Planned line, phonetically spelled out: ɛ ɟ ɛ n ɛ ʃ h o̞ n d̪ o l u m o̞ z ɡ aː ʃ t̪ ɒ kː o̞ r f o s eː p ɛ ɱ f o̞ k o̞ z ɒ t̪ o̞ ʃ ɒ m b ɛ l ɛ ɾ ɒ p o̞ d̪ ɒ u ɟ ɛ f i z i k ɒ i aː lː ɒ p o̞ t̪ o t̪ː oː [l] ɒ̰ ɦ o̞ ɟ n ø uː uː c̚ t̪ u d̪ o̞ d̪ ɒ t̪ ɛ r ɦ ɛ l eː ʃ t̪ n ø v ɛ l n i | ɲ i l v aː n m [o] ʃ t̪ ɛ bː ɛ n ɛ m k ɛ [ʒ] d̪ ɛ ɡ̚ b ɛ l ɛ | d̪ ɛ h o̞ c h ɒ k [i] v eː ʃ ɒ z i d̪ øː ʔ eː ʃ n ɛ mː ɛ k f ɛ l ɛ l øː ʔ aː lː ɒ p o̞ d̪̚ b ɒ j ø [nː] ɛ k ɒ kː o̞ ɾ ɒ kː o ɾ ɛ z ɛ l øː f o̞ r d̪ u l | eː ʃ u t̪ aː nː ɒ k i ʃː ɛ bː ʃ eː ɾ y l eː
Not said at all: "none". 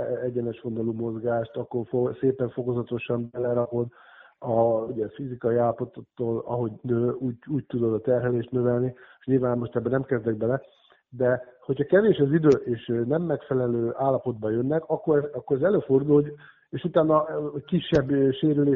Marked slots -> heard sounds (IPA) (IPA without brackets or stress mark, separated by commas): l, o, z, ɛ, nː